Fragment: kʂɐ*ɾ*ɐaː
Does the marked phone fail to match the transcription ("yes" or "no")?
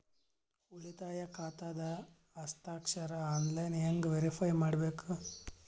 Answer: no